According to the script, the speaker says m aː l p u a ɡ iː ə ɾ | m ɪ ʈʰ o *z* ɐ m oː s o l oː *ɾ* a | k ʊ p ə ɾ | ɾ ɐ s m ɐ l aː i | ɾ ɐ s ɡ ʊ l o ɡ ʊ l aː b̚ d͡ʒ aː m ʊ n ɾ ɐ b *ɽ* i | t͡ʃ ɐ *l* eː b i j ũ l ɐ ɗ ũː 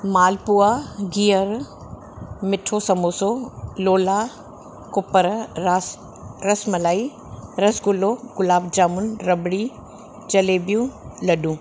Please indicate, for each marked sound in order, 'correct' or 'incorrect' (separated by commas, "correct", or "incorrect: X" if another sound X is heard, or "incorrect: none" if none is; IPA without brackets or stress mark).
incorrect: s, incorrect: l, correct, correct